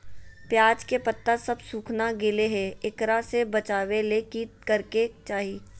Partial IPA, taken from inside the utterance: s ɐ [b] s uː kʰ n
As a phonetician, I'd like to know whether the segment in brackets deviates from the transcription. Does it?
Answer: no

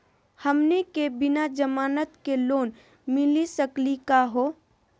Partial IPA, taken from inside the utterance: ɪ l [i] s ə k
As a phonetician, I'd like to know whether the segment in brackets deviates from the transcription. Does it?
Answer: no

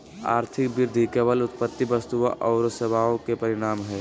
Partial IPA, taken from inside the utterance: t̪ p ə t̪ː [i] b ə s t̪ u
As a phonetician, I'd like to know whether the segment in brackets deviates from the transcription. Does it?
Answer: no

